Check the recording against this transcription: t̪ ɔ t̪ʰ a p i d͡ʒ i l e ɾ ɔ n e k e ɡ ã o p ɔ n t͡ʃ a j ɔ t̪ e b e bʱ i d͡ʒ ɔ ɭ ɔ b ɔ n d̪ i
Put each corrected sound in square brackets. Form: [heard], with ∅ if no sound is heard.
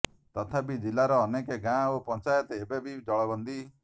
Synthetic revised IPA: t̪ ɔ t̪ʰ a p i d͡ʒ i l [a] ɾ [ɔː] n e k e ɡ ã o p ɔ n t͡ʃ a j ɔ t̪ e b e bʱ i d͡ʒ ɔ ɭ ɔ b ɔ n d̪ i

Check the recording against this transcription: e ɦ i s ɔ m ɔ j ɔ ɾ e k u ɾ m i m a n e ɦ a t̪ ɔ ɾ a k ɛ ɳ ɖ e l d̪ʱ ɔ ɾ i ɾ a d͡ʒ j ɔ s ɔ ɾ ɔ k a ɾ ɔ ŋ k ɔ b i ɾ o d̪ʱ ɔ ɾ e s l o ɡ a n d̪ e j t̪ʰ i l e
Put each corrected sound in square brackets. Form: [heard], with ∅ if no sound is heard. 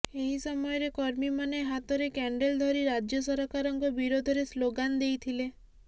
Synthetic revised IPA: e ɦ i s ɔ m ɔ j ɔ ɾ e k [ɔ] ɾ m i m a n e ɦ a t̪ ɔ ɾ [e] k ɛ ɳ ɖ e l d̪ʱ ɔ ɾ i ɾ a d͡ʒ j ɔ s ɔ ɾ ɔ k a ɾ ɔ ŋ k ɔ b i ɾ o d̪ʱ ɔ ɾ e s l o ɡ a n d̪ e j t̪ʰ i l e

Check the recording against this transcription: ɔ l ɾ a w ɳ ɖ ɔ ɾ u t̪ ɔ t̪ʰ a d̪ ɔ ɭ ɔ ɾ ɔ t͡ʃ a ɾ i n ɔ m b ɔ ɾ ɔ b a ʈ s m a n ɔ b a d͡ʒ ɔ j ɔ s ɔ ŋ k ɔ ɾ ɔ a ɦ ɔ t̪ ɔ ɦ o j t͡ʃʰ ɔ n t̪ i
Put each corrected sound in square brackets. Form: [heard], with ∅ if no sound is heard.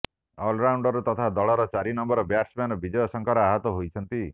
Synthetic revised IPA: ɔ l ɾ a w ɳ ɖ ɔ ɾ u t̪ ɔ t̪ʰ a d̪ ɔ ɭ ɔ ɾ ɔ t͡ʃ a ɾ i n ɔ m b ɔ ɾ ɔ b a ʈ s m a n ɔ b [i] d͡ʒ ɔ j ɔ s ɔ ŋ k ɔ ɾ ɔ a ɦ ɔ t̪ ɔ ɦ o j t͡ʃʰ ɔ n t̪ i

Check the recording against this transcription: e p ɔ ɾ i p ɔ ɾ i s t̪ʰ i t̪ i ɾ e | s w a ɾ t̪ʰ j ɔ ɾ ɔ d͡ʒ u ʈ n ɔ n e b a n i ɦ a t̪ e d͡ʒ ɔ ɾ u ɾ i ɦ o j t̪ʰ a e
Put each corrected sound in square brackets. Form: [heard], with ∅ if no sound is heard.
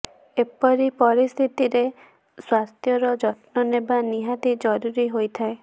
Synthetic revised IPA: e p ɔ ɾ i p ɔ ɾ i s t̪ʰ i t̪ i ɾ e | s w a ɾ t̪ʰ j ɔ ɾ ɔ d͡ʒ [ɔ] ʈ n ɔ n e b a n i ɦ a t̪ [i] d͡ʒ ɔ ɾ u ɾ i ɦ o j t̪ʰ a e

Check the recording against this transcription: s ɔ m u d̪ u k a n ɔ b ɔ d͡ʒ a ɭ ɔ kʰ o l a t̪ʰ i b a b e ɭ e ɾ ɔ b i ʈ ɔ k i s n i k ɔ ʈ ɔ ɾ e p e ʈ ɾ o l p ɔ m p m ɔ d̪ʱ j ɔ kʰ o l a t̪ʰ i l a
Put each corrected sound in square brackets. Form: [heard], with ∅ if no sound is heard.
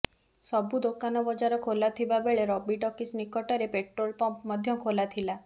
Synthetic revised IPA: s ɔ [b] u d̪ [o] k a n ɔ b ɔ d͡ʒ a [ɾ] ɔ kʰ o l a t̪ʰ i b a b e ɭ e ɾ ɔ b i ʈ ɔ k i s n i k ɔ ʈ ɔ ɾ e p e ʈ ɾ o l p ɔ m p m ɔ d̪ʱ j ɔ kʰ o l a t̪ʰ i l a

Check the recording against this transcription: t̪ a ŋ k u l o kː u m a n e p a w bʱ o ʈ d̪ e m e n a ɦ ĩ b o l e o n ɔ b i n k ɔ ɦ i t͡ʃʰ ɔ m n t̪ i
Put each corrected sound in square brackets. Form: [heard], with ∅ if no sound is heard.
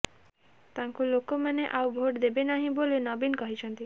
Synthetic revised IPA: t̪ a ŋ k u l o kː [o] m a n e [ʔ] a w bʱ o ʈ d̪ e [b] e n a ɦ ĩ b o l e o n ɔ b i n k ɔ ɦ i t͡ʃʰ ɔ [∅] n t̪ i

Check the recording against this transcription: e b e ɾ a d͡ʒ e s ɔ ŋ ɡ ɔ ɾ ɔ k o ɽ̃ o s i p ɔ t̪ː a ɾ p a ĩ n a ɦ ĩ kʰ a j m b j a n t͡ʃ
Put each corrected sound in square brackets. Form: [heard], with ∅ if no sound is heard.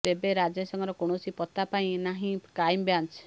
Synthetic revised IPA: e b e ɾ a d͡ʒ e s ɔ ŋ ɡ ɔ ɾ ɔ k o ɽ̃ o s i p ɔ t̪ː a [∅] p a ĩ n a ɦ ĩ [k] a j m b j a n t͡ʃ

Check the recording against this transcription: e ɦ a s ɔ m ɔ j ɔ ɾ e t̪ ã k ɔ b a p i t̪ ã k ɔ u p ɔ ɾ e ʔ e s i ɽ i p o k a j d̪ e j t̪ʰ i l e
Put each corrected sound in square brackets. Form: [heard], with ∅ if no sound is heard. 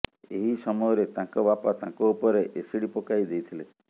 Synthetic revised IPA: e ɦ [i] s ɔ m ɔ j ɔ ɾ e t̪ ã k ɔ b a p [a] t̪ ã k ɔ u p ɔ ɾ e ʔ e s i ɽ i p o k a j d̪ e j t̪ʰ i l e

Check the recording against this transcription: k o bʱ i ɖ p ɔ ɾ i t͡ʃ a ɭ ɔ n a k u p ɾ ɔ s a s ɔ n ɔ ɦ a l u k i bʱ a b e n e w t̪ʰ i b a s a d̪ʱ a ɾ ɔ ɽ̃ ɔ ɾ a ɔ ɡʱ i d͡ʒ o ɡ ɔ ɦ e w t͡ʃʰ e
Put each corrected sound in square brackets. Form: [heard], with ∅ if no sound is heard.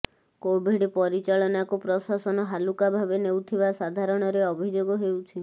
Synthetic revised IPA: k o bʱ i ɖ p ɔ ɾ i t͡ʃ a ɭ ɔ n a k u p ɾ ɔ s a s ɔ n ɔ ɦ a l u k [a] bʱ a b e n e w t̪ʰ i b a s a d̪ʱ a ɾ ɔ ɽ̃ ɔ ɾ [e] ɔ [bʱ] i d͡ʒ o ɡ ɔ ɦ e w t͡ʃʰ [i]

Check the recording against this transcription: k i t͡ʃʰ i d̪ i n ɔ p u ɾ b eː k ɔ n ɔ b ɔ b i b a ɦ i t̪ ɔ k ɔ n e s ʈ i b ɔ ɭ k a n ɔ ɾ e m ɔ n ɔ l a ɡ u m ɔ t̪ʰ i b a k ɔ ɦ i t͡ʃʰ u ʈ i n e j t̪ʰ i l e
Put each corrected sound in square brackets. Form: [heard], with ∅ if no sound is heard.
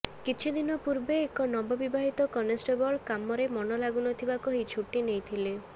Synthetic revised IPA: k i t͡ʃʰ i d̪ i n ɔ p u ɾ b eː k ɔ n ɔ b ɔ b i b a ɦ i t̪ ɔ k ɔ n e s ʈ [e] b ɔ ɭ k a [m] ɔ ɾ e m ɔ n ɔ l a ɡ u [n] ɔ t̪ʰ i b a k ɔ ɦ i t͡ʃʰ u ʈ i n e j t̪ʰ i l e

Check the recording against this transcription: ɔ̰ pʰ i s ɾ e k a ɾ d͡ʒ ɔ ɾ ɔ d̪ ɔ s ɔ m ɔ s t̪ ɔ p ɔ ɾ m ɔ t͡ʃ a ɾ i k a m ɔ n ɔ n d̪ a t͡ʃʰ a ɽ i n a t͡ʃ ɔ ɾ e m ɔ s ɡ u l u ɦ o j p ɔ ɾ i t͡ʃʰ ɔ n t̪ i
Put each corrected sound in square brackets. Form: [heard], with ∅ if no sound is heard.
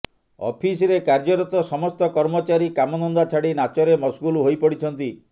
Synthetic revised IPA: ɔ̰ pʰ i s ɾ e k a ɾ d͡ʒ ɔ ɾ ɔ [t̪] ɔ s ɔ m ɔ s t̪ ɔ [k] ɔ ɾ m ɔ t͡ʃ a ɾ i k a m ɔ n ɔ n d̪ a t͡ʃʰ a ɽ i n a t͡ʃ ɔ ɾ e m ɔ s ɡ u l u ɦ o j p ɔ [ɽ] i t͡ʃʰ ɔ n t̪ i

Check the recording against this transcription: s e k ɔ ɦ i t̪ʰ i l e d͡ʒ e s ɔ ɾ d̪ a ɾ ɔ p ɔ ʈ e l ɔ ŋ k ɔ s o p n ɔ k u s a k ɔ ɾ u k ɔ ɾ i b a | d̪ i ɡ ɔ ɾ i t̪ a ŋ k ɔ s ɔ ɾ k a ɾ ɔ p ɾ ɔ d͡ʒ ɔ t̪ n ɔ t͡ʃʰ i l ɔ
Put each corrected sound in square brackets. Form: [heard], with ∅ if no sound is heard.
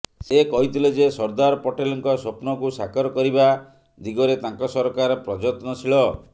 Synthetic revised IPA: s e k ɔ ɦ i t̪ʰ i l e d͡ʒ e s ɔ ɾ d̪ a ɾ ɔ p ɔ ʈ e l ɔ ŋ k ɔ s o p n ɔ k u s a k ɔ ɾ [ɔ] k ɔ ɾ i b a | d̪ i ɡ ɔ ɾ [e] t̪ a ŋ k ɔ s ɔ ɾ k a ɾ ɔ p ɾ ɔ d͡ʒ ɔ t̪ n ɔ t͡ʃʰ i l ɔ

